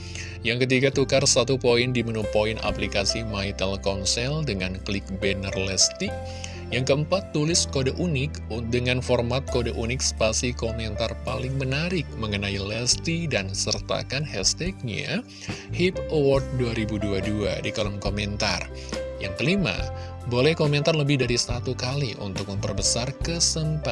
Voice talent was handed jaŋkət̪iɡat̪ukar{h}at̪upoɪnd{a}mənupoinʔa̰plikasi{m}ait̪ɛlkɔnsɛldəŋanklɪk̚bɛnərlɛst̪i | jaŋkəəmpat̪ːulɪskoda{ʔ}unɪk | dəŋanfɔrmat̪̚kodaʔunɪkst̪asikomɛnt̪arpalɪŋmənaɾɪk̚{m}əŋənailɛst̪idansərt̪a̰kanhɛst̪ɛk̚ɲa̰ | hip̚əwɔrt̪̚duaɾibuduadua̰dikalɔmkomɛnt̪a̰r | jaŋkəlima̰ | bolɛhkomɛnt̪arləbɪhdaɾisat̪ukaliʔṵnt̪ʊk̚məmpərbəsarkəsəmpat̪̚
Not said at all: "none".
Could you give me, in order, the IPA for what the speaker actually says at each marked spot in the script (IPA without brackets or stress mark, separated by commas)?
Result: s, i, m, ʔ, m